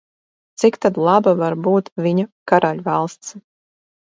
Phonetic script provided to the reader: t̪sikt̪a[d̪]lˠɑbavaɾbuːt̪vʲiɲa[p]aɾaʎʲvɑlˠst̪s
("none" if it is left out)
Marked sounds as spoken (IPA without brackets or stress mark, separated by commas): d̪, k